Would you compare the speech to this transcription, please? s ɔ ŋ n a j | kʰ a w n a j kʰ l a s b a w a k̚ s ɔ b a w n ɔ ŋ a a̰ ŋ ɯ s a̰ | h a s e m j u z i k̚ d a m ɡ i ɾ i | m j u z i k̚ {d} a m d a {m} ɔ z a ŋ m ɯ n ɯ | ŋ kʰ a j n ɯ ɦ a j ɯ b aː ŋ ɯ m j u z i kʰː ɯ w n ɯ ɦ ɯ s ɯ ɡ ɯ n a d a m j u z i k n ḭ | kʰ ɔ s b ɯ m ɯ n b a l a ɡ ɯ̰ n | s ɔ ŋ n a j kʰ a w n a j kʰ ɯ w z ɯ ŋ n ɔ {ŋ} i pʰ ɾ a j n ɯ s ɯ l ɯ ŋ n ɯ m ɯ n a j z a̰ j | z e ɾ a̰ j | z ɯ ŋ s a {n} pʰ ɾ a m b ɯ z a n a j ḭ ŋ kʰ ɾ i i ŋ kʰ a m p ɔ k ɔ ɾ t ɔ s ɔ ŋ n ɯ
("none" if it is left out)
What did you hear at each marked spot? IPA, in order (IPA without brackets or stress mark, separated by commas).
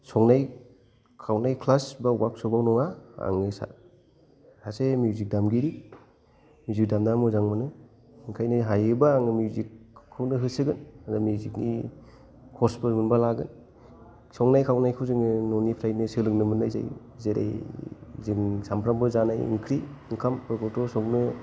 d, m, n, m